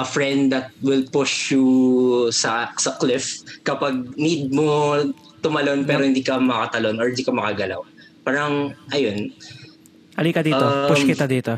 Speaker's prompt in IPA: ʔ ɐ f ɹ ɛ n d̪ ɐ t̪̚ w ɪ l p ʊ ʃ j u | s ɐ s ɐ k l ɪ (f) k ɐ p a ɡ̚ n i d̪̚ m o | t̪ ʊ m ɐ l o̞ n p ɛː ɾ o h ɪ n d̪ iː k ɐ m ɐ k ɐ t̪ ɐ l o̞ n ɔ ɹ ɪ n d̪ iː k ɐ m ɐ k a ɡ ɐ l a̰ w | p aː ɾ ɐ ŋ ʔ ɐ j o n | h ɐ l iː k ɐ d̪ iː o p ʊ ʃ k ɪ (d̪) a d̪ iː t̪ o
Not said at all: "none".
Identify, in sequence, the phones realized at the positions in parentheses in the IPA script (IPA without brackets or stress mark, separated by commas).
f, t̪